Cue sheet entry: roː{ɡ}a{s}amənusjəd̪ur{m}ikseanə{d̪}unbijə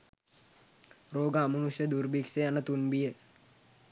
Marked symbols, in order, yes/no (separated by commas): yes, no, no, no